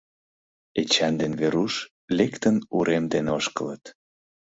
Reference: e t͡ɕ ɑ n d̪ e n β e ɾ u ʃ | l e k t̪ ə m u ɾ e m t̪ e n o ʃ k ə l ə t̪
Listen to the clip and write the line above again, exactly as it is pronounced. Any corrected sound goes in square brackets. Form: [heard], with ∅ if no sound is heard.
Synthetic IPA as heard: e t͡ɕ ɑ n d̪ e n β e ɾ u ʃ | l e k t̪ ə [n] u ɾ e m [d̪] e n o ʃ k ə l ə t̪